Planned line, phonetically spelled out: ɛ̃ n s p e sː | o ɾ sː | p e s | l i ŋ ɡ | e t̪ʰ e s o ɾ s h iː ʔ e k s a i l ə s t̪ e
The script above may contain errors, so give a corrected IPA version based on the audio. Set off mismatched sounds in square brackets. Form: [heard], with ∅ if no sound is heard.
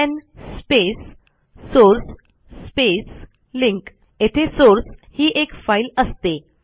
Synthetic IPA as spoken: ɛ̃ n s p e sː | o ɾ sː | p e s | l i ŋ [k] | e t̪ʰ e s o ɾ s h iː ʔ e k [f] a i l ə s t̪ e